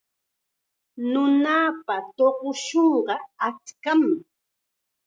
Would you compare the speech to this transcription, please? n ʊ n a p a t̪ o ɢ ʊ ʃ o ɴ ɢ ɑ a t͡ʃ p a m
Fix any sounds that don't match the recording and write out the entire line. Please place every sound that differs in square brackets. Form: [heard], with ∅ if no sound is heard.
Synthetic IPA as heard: n ʊ n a p a t̪ o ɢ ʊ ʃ o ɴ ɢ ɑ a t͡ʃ [k] a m